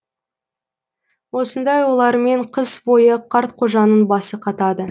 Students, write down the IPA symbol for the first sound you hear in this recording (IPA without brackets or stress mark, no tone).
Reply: w